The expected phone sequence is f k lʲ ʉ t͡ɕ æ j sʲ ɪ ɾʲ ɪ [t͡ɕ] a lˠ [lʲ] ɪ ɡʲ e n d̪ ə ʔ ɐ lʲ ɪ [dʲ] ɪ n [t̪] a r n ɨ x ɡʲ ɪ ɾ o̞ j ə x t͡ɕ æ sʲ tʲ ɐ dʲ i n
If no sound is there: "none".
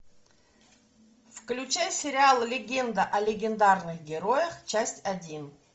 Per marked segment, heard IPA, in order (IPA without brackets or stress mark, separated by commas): none, lʲ, ɡʲ, d̪